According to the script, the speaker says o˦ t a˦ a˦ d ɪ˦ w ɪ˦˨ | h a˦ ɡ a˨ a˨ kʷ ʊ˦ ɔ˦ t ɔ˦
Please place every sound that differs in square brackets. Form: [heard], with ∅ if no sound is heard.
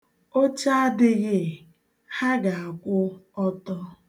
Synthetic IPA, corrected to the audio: o˦ [t͡ʃ] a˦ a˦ d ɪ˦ [ɣ] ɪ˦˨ | h a˦ ɡ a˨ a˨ kʷ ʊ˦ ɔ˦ t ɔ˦